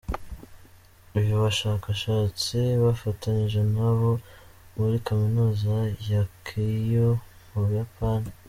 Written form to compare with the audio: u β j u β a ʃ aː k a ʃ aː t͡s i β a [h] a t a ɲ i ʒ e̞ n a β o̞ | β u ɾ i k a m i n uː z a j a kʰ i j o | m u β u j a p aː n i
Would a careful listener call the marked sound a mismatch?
yes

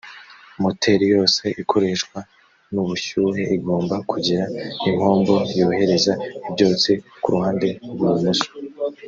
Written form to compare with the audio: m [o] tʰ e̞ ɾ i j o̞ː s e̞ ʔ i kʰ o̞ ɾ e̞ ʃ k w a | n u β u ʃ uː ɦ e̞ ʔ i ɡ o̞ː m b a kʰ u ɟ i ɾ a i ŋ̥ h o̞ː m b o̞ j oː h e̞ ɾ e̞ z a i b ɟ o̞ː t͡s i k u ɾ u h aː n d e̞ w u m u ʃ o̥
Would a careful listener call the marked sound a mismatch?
no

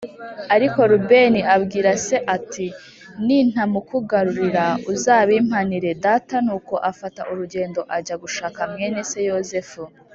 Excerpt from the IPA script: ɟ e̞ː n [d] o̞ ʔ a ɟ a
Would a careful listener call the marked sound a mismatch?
no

